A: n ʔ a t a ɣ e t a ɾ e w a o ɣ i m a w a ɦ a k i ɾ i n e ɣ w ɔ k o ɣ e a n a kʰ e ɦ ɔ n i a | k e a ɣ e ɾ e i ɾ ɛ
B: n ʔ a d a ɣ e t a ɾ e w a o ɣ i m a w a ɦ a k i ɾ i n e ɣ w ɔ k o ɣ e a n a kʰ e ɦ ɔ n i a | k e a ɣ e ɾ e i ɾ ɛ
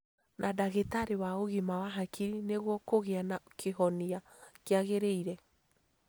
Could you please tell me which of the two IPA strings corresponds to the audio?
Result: B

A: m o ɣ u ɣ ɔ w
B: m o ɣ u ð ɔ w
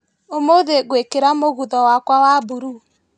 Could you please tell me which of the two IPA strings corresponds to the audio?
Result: B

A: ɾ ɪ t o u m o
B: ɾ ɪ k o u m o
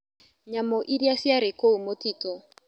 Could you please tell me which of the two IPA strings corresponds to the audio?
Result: B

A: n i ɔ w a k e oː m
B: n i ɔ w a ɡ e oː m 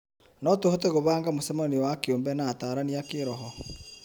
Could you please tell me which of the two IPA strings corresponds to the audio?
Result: A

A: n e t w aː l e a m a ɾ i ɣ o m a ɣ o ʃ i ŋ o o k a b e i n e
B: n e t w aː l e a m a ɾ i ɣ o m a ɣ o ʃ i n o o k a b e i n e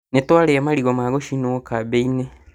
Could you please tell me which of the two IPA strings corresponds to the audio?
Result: B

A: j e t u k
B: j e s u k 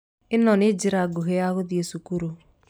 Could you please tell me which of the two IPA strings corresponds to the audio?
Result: B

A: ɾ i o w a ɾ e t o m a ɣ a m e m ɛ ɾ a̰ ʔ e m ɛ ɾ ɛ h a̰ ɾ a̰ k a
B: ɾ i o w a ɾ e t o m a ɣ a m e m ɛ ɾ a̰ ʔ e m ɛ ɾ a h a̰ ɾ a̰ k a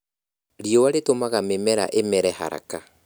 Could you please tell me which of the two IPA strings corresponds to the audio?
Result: A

